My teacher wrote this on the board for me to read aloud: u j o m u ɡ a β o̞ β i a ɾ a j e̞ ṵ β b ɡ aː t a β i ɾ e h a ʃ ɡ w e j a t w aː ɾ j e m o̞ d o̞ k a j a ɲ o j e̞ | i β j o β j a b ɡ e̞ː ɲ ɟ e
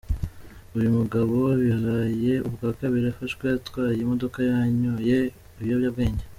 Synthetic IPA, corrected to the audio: u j u m u ɡ a β o̞ β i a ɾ a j e̞ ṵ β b ɡ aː k a β i ɾ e f a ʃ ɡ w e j a t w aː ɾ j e m o̞ d o̞ k a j a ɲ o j e̞ | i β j o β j a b ɡ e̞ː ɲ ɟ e